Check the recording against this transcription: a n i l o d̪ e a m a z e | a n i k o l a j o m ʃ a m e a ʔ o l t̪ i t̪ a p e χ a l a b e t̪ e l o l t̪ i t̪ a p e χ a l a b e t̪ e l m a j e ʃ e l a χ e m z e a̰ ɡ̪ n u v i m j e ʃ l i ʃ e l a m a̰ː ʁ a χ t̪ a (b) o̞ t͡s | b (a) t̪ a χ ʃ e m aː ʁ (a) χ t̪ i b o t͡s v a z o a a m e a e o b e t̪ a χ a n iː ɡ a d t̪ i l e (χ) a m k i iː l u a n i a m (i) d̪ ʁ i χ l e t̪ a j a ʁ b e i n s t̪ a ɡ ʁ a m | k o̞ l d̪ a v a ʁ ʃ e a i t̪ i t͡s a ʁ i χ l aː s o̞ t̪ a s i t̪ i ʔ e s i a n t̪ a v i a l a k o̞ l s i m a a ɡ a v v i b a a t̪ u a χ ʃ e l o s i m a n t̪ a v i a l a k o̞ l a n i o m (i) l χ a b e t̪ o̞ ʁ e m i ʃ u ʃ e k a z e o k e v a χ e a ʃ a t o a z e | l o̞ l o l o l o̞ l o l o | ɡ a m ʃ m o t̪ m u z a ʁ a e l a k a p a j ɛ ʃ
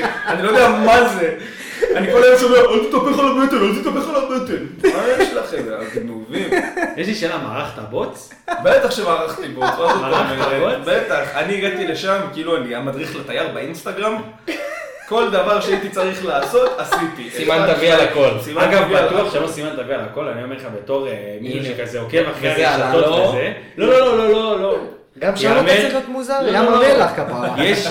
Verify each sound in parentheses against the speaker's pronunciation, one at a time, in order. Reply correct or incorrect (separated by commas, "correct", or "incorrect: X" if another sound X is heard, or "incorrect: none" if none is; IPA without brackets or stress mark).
correct, incorrect: e, correct, incorrect: ʃ, incorrect: a, incorrect: e